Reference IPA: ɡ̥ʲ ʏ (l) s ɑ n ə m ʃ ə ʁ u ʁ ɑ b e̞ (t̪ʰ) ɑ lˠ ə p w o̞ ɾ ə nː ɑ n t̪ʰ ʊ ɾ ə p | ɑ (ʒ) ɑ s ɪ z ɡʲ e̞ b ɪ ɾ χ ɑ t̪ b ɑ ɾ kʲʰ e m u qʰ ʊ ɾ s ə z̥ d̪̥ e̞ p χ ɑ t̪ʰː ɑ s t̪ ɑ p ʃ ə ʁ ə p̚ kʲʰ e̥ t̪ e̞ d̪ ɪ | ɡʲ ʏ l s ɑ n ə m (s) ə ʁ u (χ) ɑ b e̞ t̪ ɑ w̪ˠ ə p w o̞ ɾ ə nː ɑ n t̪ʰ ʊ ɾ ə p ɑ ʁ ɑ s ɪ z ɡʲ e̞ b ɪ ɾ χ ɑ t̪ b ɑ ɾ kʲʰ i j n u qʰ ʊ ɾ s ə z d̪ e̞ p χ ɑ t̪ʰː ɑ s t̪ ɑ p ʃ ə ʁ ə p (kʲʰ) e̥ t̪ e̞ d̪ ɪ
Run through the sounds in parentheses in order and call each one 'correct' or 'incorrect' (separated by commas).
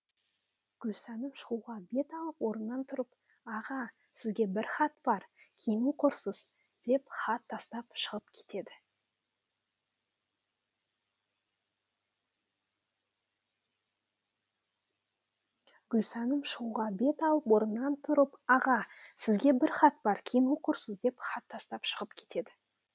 correct, incorrect, incorrect, incorrect, incorrect, correct